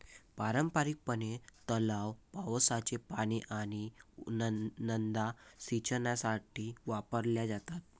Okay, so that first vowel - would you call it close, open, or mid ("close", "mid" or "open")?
open